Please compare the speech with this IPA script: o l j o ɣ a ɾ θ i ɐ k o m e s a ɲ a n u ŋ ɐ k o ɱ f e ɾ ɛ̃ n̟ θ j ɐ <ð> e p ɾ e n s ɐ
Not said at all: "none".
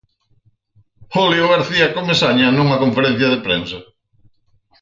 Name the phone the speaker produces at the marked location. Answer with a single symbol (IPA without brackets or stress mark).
ð